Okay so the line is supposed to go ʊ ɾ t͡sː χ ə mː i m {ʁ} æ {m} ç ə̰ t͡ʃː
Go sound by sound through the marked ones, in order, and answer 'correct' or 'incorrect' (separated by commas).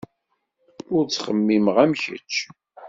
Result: correct, correct